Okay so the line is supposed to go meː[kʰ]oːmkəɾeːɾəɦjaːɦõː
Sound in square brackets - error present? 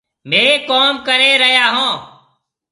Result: yes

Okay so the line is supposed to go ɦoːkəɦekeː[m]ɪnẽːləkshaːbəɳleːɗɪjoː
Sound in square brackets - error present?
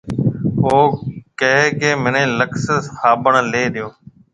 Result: no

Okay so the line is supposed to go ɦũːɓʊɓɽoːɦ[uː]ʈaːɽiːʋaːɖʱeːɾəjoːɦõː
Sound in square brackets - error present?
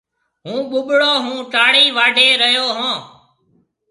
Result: yes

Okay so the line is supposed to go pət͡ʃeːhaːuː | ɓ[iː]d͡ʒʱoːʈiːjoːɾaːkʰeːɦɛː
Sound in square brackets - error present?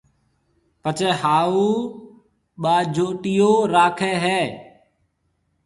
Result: yes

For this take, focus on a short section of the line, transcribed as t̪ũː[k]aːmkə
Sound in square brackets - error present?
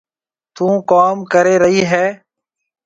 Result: no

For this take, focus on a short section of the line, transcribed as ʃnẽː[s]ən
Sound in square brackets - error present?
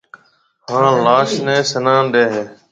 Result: no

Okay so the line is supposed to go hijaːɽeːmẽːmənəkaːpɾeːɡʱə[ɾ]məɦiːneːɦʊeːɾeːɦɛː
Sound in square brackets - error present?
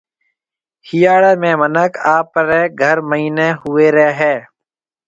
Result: no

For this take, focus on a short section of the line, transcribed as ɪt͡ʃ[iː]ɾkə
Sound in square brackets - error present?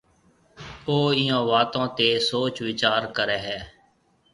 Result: yes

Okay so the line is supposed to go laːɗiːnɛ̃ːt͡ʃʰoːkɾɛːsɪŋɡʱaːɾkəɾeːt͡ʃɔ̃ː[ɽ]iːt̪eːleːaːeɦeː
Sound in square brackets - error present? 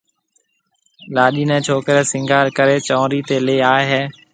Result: yes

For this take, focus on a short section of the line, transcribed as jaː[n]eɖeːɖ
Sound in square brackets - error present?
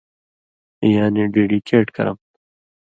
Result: no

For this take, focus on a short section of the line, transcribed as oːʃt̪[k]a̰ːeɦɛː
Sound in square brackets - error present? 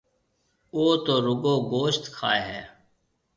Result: yes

